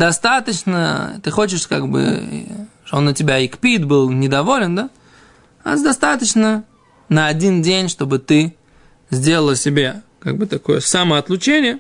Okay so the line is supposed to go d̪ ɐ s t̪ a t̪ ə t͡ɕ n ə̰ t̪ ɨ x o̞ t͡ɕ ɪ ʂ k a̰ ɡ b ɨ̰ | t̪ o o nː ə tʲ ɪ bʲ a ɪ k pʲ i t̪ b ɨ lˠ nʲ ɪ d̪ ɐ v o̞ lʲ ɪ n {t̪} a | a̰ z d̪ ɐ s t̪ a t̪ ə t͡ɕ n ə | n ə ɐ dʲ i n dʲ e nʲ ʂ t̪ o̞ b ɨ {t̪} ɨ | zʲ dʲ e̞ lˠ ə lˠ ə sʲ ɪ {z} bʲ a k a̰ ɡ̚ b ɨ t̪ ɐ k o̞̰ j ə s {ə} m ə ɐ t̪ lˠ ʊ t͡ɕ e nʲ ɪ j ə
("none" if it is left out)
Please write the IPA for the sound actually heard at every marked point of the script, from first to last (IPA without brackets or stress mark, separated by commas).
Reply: d̪, t̪, none, a